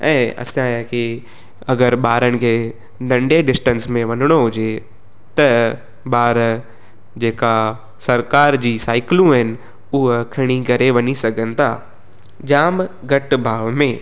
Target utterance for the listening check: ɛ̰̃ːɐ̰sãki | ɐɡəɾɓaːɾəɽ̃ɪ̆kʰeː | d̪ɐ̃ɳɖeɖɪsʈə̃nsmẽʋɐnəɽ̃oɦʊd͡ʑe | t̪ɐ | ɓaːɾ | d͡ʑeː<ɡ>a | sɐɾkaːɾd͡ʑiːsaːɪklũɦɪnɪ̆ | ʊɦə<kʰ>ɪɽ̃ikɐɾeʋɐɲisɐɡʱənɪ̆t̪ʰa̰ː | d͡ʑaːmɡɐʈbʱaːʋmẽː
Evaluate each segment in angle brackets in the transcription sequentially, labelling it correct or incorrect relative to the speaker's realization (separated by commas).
incorrect, correct